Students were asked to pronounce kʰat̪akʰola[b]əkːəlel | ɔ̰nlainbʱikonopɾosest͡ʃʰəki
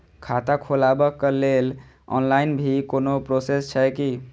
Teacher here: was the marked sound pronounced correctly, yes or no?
yes